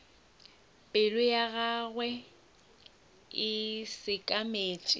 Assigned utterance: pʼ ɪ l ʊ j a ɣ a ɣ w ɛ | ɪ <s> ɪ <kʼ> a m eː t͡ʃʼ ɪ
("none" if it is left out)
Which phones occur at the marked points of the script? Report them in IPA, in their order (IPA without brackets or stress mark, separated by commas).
s, kʼ